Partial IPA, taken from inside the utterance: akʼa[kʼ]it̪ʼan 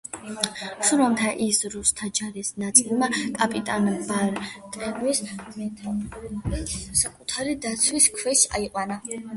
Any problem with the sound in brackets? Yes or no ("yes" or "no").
yes